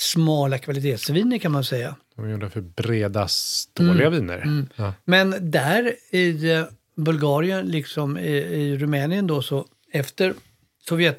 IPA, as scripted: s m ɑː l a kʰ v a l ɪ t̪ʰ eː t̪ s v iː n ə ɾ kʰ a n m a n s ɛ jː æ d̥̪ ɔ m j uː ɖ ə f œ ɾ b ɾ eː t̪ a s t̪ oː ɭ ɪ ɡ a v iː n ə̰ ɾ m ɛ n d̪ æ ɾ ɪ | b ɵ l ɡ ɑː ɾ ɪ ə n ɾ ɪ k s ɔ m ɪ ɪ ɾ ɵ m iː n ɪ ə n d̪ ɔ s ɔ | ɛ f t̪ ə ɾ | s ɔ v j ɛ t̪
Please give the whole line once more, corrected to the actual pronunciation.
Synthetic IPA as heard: s m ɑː l a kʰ v a l ɪ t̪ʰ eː t̪ s v iː n ə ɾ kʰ a n m a n s ɛ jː a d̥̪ ɔ m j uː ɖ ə f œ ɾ b ɾ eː d̪ a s t̪ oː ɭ ɪ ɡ a v iː n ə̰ ɾ m ɛ n d̪ æ ɾ ɪ | b ɵ l ɡ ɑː ɾ ɪ ə n l ɪ k s ɔ m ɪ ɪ ɾ ɵ m ɛː n ɪ ə n d̪ ɔ s ɔ | ɛ f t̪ ə ɾ | s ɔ v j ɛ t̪